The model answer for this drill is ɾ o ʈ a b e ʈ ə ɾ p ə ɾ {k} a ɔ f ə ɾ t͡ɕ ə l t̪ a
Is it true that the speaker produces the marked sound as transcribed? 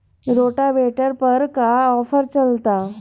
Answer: yes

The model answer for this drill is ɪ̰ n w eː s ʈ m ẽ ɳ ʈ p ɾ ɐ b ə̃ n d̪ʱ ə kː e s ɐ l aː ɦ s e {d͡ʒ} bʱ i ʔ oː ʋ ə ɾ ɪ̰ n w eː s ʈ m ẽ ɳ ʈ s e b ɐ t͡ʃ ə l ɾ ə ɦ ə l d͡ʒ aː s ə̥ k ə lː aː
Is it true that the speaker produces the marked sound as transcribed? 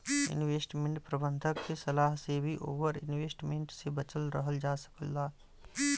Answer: no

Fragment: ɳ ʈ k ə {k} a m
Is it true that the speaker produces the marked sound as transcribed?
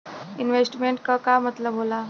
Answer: yes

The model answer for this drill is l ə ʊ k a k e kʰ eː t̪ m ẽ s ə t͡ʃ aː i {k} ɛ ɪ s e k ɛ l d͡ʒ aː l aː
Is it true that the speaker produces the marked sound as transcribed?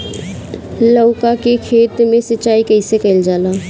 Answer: yes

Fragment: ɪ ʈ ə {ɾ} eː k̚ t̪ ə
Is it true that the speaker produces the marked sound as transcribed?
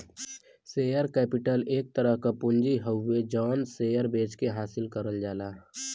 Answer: no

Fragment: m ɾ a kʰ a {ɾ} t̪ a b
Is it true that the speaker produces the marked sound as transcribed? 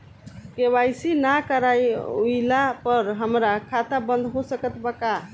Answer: no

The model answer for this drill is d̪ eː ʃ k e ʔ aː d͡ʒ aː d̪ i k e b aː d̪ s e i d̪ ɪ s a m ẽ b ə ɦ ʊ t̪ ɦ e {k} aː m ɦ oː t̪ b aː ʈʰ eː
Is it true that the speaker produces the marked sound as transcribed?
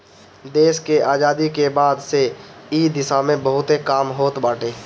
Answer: yes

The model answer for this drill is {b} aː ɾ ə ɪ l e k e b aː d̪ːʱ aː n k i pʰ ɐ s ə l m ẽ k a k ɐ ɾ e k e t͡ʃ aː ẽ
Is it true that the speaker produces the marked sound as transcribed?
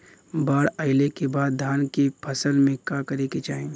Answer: yes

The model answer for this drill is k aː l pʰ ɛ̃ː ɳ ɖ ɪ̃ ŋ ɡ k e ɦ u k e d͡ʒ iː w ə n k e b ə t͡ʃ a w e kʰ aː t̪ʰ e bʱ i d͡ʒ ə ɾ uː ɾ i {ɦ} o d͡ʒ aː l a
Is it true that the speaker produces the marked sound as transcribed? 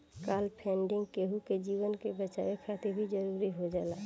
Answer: yes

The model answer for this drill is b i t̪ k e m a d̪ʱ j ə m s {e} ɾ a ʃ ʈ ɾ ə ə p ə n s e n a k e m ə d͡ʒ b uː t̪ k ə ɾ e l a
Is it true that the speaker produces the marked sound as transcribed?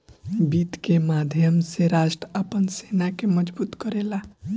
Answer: yes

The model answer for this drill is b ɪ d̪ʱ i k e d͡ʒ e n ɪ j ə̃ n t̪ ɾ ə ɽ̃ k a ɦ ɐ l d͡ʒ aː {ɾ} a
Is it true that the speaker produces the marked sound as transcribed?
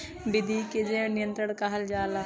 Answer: no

